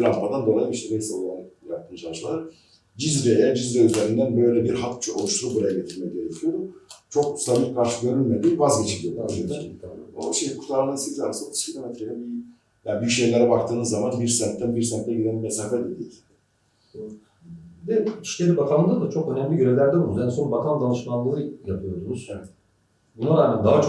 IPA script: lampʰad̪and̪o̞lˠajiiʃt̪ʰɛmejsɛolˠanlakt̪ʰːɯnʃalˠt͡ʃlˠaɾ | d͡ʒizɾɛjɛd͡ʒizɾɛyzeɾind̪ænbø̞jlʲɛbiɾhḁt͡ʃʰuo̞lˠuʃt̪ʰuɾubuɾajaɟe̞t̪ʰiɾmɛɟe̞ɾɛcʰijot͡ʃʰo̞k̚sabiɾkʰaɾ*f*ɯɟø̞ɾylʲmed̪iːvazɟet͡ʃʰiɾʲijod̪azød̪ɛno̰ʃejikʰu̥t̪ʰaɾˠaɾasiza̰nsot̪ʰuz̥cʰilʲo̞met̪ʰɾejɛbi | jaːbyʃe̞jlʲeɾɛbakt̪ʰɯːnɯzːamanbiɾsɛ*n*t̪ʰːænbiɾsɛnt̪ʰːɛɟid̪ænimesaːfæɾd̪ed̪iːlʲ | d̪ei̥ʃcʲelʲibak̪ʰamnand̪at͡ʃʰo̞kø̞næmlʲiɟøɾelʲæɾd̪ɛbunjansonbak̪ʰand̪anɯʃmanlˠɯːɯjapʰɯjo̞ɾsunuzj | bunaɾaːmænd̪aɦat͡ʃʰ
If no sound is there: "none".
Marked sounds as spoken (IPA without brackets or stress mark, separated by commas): ʃ, n